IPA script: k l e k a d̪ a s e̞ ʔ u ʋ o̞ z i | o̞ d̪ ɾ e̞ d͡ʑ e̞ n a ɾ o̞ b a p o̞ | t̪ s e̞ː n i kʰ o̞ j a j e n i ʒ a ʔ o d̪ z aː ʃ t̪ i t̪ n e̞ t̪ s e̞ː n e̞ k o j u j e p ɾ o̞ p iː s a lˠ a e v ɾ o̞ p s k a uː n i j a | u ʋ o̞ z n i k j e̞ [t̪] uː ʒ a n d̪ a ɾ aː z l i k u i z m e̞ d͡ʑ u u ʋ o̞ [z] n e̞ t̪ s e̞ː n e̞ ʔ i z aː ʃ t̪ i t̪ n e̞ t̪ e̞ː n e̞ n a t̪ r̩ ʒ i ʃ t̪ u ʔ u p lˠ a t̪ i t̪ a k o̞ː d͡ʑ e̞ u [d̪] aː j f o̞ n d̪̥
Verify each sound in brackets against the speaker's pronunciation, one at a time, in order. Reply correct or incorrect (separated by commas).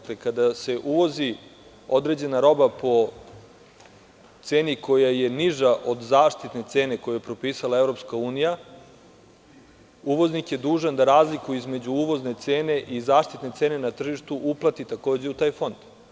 incorrect, correct, incorrect